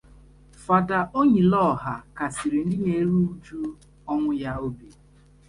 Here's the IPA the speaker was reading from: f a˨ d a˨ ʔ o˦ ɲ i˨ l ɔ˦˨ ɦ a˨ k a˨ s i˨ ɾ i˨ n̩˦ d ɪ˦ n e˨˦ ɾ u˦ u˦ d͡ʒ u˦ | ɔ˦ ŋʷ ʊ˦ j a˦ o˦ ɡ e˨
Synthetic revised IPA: f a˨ d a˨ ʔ o˦ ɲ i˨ l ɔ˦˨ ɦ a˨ k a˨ s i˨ ɾ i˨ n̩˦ d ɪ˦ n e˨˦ ɾ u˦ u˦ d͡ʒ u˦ | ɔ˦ ŋʷ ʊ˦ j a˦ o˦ b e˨